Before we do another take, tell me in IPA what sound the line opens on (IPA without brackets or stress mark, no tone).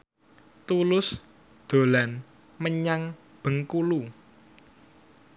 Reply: t̪